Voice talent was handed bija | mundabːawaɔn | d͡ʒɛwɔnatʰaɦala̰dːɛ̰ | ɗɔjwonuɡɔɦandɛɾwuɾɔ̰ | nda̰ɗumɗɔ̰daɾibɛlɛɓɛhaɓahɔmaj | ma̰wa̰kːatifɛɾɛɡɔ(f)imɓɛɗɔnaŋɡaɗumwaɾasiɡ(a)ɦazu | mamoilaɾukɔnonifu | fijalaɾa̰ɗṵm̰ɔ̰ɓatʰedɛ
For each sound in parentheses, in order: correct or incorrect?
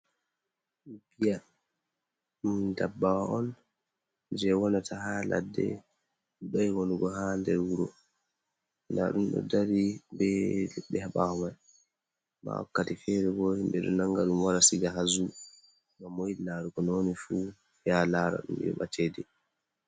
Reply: incorrect, correct

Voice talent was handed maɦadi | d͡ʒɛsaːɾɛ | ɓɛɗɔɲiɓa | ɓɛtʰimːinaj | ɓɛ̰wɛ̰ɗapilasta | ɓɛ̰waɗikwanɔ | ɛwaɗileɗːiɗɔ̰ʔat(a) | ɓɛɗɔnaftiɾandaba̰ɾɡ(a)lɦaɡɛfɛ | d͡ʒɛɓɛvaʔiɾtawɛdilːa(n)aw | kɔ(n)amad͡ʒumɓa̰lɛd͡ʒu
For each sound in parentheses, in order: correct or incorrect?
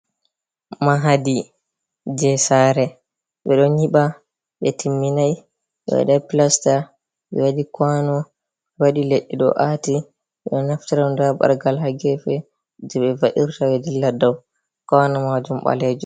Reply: incorrect, correct, incorrect, correct

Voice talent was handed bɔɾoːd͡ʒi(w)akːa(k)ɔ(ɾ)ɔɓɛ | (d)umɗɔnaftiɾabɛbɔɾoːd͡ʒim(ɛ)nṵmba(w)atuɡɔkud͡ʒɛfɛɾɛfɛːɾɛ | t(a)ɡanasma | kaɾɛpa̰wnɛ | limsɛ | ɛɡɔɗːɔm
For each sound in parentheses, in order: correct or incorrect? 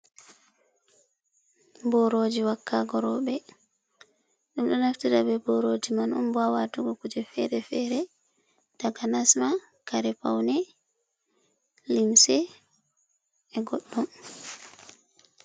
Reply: correct, incorrect, correct, incorrect, incorrect, correct, correct

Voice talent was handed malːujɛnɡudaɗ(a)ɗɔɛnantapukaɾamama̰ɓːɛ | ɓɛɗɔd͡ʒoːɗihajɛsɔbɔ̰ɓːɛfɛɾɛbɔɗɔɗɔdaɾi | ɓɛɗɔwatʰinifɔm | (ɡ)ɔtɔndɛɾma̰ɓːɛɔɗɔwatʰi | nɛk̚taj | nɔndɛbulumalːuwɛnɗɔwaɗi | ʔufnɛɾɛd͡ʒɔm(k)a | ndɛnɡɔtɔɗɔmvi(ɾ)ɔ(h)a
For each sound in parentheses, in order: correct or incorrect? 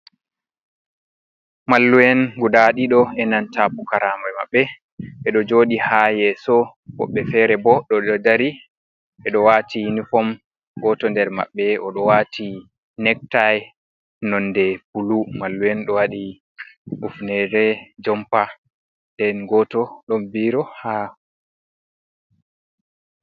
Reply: incorrect, correct, incorrect, correct, correct

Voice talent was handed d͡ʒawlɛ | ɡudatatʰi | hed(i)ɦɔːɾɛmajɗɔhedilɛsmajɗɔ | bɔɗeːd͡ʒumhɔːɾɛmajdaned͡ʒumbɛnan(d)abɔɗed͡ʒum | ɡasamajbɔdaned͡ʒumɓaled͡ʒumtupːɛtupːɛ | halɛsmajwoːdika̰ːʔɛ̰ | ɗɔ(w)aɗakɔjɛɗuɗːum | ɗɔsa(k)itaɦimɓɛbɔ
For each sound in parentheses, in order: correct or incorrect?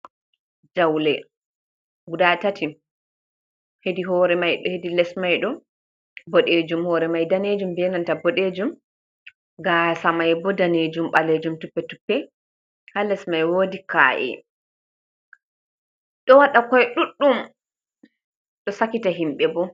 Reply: correct, incorrect, correct, correct

